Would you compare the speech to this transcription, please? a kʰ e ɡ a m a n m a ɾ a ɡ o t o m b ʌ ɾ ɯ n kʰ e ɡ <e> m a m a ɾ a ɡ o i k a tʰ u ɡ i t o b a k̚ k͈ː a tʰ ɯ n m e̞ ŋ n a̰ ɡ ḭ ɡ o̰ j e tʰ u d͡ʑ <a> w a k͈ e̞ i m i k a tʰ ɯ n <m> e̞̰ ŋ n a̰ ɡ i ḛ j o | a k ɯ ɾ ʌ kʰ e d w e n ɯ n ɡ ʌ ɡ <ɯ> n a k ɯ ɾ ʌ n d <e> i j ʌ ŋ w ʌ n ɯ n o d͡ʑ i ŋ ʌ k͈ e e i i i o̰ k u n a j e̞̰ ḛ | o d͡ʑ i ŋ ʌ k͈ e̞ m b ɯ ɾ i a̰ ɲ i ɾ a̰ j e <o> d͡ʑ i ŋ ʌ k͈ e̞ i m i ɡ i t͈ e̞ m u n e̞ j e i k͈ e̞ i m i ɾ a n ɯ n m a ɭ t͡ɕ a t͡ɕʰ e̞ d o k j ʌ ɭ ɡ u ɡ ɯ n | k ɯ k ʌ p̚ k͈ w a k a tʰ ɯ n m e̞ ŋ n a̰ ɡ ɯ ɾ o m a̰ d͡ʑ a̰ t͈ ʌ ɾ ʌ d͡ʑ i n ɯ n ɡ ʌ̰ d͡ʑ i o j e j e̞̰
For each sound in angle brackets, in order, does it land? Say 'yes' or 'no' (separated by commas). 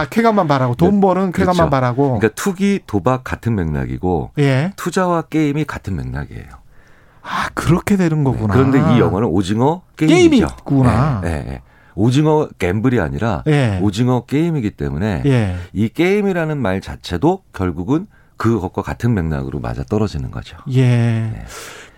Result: no, yes, yes, no, yes, yes